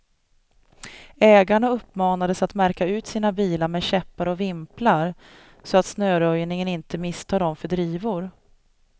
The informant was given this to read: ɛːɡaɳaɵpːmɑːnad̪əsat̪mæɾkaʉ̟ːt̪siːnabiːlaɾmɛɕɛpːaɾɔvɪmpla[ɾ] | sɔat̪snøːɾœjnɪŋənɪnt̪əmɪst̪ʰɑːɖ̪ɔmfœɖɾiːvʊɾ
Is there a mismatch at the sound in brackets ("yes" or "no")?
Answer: no